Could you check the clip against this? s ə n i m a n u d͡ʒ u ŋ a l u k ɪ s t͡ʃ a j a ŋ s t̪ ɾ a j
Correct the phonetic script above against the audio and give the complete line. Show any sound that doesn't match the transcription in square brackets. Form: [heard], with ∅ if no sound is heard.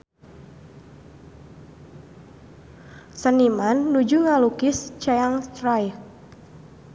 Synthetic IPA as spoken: s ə n i m a [nː] u d͡ʒ u ŋ a l u k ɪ s t͡ʃ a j a ŋ s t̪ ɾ a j